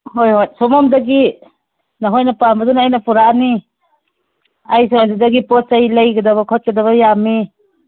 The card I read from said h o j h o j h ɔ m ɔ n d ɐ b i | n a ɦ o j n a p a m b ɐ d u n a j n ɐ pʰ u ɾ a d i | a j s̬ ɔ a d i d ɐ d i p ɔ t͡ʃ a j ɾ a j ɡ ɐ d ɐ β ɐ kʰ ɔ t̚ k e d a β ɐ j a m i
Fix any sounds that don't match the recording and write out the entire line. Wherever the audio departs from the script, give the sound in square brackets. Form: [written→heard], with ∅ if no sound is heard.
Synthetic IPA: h o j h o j [h→s] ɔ m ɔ [n→m] d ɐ [b→ɡ] i | n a ɦ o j n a p a m b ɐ d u n a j n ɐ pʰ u ɾ a [d→n] i | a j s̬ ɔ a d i d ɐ [d→ɡ] i p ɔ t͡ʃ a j [ɾ→l] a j ɡ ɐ d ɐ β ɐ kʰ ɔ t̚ k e d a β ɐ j a m i